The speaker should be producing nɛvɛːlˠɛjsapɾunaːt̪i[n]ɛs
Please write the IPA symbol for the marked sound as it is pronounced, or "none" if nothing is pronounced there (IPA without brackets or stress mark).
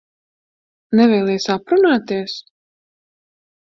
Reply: none